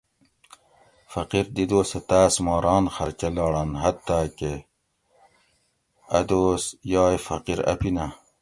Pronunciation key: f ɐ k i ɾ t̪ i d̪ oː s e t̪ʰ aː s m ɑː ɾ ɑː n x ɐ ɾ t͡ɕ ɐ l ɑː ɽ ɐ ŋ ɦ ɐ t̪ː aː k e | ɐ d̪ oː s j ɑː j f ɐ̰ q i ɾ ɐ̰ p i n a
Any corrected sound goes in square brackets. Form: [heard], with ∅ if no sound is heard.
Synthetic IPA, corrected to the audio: f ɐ [q] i ɾ [d̪] i d̪ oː s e [t̪] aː s m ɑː ɾ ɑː n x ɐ ɾ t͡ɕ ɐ l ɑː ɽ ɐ [n] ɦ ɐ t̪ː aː k e | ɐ d̪ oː s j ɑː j f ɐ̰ q i ɾ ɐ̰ p i n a